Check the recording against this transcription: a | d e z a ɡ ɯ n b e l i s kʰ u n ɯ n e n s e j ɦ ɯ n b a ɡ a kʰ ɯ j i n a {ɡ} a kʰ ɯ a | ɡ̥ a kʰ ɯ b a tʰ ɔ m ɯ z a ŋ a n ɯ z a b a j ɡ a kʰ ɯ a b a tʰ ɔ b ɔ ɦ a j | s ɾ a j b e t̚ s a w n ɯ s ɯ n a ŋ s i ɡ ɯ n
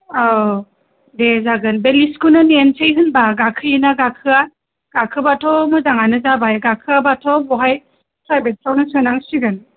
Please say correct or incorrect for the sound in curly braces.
correct